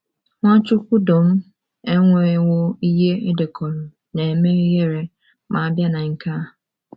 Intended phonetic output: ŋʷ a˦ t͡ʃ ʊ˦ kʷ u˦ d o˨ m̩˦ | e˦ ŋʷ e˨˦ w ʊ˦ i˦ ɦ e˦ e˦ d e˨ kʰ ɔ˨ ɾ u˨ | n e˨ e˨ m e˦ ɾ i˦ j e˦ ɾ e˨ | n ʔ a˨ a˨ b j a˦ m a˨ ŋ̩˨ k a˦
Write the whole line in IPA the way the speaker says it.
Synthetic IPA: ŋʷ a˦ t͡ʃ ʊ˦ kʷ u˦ d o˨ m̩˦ | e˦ ŋʷ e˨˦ w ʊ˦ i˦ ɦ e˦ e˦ d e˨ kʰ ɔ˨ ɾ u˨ | n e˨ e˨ m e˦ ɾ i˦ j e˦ ɾ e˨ | m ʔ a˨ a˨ b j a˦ n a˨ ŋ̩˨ k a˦

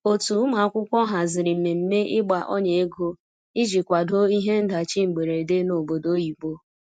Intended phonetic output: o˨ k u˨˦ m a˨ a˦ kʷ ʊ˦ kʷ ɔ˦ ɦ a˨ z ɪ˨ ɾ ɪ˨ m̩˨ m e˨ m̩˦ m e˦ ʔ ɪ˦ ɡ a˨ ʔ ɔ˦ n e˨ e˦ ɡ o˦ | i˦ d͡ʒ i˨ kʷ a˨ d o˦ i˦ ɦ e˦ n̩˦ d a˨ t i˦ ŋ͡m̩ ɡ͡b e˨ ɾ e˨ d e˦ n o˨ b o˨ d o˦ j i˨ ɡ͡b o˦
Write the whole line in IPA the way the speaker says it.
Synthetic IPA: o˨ t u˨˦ m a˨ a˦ kʷ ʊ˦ kʷ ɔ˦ ɦ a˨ z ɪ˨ ɾ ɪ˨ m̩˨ m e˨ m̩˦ m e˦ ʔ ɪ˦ ɡ͡b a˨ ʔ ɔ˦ ɲ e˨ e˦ ɡ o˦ | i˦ d͡ʒ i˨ kʷ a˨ d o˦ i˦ ɦ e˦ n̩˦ d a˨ t͡ʃ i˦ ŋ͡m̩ ɡ͡b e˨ ɾ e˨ d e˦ n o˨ b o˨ d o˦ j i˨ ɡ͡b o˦

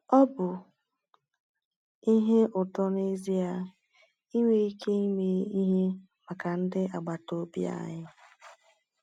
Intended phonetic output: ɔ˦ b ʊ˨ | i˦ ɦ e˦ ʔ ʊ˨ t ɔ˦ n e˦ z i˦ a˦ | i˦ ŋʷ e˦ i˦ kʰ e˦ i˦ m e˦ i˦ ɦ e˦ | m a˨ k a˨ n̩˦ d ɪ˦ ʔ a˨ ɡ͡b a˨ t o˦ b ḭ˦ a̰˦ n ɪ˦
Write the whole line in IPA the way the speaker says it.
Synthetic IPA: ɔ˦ b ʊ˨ | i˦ ɦ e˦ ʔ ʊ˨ t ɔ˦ n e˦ z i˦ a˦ | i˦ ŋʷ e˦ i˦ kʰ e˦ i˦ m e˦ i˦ ɦ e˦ | m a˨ k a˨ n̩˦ d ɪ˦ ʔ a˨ ɡ͡b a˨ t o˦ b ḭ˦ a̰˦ ɲ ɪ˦

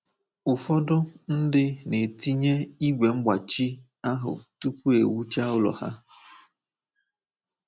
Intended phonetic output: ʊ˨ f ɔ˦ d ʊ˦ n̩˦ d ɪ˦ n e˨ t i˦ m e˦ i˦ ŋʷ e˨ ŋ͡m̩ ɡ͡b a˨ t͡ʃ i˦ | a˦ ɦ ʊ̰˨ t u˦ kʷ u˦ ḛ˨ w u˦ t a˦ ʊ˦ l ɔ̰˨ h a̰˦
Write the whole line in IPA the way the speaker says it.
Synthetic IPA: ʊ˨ f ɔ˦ d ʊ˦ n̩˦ d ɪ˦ n e˨ t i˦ ɲ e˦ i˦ ɡʷ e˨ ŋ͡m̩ ɡ͡b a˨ t͡ʃ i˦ | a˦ ɦ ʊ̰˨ t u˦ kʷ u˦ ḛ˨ w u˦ t͡ʃ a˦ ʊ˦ l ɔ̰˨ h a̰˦

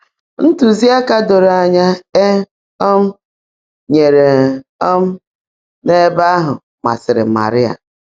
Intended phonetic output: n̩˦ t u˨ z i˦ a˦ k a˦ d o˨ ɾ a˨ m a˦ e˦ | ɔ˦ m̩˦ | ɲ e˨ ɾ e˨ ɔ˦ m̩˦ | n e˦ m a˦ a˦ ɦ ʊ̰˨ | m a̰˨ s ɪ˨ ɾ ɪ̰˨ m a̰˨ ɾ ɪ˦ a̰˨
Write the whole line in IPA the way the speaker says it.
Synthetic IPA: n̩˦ t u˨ z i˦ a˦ k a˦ d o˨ ɾ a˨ ɲ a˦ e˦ | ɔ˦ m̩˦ | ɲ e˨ ɾ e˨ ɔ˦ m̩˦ | n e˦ b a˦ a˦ ɦ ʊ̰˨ | m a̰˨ s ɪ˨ ɾ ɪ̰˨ m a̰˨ ɾ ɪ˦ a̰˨

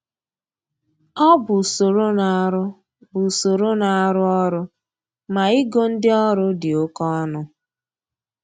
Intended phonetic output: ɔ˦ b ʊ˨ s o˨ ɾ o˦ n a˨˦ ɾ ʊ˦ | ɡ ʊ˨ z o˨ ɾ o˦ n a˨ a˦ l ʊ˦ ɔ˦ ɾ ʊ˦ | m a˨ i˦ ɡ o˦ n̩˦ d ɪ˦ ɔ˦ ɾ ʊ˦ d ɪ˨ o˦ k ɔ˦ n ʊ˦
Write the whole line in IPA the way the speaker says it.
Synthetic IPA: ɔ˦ b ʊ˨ s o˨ ɾ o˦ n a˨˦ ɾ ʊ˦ | b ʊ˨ s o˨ ɾ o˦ n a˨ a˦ ɾ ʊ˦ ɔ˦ ɾ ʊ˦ | m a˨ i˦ ɡ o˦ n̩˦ d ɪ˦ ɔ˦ ɾ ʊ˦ d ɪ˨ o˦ k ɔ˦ n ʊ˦

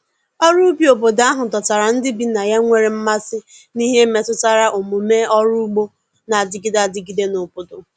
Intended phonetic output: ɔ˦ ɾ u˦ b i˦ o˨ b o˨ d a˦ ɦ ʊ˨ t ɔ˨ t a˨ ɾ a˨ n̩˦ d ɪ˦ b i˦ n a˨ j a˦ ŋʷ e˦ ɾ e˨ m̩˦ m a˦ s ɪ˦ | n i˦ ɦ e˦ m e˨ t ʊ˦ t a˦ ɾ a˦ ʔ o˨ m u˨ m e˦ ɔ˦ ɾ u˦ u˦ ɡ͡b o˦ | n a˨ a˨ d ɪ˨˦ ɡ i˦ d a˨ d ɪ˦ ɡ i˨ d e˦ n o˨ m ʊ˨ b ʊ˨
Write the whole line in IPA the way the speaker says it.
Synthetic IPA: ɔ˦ ɾ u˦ b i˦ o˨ b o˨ d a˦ ɦ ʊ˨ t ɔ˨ t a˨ ɾ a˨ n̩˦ d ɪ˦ b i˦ n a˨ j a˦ ŋʷ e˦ ɾ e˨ m̩˦ m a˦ s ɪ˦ | n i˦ ɦ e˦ m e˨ t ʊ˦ t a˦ ɾ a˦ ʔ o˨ m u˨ m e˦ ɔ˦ ɾ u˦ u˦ ɡ͡b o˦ | n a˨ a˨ d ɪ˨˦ ɡ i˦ d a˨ d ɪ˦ ɡ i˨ d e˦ n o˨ b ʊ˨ d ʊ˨

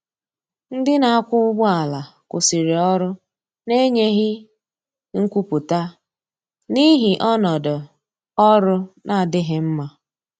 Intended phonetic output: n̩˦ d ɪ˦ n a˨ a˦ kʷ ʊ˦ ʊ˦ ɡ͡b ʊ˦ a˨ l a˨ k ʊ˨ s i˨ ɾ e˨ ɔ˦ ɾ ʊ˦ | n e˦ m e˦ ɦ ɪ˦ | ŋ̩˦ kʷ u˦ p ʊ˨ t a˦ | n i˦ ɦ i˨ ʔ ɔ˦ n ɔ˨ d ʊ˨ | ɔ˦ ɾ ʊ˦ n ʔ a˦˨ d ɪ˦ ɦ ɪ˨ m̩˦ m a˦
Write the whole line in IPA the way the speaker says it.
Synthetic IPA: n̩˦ d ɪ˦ n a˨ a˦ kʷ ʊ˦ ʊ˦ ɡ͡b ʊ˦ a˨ l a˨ k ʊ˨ s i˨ ɾ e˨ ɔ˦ ɾ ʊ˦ | n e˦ ɲ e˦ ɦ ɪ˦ | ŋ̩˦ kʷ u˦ p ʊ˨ t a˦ | n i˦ ɦ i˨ ʔ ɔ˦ n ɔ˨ d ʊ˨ | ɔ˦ ɾ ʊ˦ n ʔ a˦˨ d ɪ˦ ɦ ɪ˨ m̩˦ m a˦

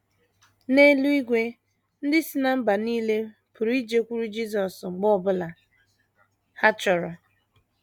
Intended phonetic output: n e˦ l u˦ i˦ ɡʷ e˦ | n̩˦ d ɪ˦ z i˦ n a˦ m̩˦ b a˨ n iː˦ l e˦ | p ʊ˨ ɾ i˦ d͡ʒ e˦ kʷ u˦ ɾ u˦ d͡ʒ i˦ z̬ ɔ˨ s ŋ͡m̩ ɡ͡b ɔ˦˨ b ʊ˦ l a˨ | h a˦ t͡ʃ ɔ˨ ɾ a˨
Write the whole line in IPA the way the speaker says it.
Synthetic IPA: n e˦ l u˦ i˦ ɡʷ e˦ | n̩˦ d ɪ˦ s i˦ n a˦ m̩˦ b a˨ n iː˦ l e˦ | p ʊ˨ ɾ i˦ d͡ʒ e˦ kʷ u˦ ɾ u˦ d͡ʒ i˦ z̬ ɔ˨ s ŋ͡m̩ ɡ͡b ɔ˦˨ b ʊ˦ l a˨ | h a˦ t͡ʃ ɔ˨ ɾ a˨

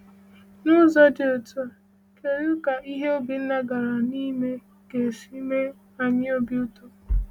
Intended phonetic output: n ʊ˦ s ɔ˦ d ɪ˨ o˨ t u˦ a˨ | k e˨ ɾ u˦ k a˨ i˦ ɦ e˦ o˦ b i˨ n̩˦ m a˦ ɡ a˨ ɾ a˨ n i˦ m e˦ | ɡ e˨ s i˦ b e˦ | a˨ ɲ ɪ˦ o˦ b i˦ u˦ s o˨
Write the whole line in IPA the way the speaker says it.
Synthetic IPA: n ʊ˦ z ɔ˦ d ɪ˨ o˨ t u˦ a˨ | k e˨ ɾ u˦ k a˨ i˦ ɦ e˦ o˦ b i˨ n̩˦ n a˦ ɡ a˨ ɾ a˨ n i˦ m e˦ | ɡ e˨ s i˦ m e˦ | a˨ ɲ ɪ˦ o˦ b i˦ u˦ t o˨

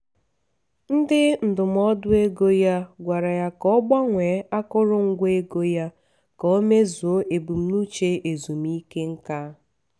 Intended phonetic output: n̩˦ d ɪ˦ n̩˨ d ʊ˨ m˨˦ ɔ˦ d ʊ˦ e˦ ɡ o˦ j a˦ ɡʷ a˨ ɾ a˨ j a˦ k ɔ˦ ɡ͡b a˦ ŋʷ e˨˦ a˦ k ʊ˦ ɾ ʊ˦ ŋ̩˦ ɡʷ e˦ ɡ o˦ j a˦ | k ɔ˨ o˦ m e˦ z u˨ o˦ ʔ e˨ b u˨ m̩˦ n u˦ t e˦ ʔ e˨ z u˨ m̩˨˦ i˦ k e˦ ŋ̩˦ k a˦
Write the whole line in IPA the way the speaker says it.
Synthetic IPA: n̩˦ d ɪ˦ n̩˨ d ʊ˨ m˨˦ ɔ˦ d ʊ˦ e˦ ɡ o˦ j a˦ ɡʷ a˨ ɾ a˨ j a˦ k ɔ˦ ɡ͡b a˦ ŋʷ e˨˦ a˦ k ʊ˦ ɾ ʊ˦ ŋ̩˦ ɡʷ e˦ ɡ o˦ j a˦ | k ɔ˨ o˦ m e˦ z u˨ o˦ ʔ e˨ b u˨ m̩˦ n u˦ t͡ʃ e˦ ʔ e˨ z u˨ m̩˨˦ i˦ k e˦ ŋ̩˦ k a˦

